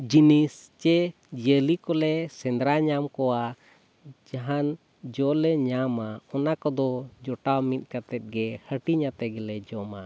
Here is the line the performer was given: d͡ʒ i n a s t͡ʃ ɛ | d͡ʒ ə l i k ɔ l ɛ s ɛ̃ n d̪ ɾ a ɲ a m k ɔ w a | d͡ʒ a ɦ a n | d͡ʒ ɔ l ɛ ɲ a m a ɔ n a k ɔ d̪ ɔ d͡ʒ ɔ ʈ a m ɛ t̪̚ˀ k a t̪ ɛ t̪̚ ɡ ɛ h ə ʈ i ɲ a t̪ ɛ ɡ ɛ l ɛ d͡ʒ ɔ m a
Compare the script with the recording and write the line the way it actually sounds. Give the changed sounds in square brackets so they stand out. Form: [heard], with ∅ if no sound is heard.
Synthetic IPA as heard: d͡ʒ i n [i] s t͡ʃ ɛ | d͡ʒ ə l i k ɔ l ɛ s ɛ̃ n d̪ ɾ a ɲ a m k ɔ w a | d͡ʒ a ɦ a n | d͡ʒ ɔ l ɛ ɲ a m a ɔ n a k ɔ d̪ ɔ d͡ʒ ɔ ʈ a m [i] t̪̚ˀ k a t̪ ɛ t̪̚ ɡ ɛ h ə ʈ i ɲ a t̪ ɛ ɡ ɛ l ɛ d͡ʒ ɔ m a